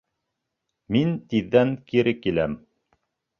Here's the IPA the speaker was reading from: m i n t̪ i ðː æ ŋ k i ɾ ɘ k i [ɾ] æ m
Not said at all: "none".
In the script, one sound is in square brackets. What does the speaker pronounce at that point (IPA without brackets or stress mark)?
l